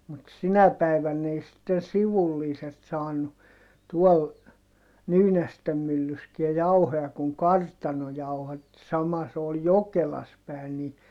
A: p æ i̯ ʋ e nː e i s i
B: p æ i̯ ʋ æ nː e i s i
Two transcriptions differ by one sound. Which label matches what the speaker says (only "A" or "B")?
B